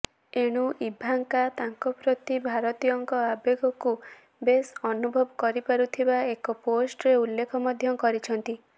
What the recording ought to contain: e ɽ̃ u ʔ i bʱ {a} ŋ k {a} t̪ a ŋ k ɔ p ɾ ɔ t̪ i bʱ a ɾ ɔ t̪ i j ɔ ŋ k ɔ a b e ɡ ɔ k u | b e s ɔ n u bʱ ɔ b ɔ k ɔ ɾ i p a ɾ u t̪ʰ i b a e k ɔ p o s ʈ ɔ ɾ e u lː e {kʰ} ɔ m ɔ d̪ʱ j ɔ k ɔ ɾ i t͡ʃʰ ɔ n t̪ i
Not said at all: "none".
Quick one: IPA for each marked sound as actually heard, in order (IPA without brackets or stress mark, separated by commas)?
a, a, kʰ